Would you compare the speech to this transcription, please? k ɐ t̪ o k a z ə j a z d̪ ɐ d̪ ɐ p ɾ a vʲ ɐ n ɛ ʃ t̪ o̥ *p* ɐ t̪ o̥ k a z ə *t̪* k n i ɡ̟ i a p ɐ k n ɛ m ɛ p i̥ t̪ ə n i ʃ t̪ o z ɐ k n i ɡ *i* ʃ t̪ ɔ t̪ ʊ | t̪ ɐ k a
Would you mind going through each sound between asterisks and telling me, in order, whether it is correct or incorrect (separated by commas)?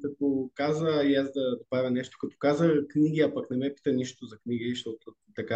incorrect, incorrect, correct